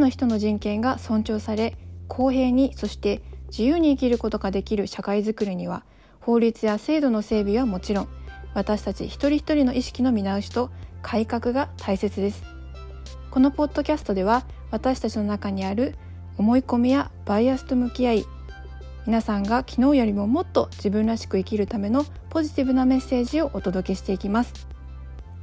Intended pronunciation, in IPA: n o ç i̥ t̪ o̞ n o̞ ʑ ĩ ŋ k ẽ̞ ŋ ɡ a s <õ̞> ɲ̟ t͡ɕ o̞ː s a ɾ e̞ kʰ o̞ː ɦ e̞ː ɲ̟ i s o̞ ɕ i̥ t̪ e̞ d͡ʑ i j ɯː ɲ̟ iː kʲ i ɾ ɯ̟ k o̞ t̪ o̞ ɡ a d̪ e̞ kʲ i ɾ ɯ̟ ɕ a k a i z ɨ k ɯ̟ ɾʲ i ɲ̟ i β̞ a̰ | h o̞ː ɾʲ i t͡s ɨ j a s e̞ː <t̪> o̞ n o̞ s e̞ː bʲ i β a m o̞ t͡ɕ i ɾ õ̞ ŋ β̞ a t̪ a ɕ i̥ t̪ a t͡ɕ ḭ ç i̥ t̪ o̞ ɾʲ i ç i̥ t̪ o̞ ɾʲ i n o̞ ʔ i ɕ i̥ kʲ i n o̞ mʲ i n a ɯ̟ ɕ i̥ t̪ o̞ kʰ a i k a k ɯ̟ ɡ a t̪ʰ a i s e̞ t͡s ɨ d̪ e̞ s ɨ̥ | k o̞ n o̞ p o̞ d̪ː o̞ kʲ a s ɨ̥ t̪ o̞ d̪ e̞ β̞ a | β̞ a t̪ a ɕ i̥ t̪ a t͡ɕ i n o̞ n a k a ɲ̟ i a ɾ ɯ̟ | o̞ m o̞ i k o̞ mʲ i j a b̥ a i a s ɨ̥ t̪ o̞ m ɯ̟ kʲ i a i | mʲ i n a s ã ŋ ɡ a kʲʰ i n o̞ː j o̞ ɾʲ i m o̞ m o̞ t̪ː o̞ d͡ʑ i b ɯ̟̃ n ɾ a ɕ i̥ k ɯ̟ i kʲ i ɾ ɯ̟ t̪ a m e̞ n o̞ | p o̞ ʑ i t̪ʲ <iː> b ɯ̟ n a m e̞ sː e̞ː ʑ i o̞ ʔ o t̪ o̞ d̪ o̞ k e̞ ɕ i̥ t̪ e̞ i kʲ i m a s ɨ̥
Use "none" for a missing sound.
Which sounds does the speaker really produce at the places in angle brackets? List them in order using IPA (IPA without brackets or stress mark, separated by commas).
õ̞, d̪, i